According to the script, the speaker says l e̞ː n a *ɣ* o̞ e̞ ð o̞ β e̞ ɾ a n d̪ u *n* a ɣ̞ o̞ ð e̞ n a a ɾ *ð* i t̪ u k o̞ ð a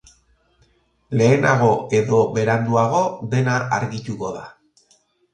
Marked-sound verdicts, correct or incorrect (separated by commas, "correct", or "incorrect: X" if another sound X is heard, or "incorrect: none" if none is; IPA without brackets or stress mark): correct, incorrect: none, incorrect: ɣ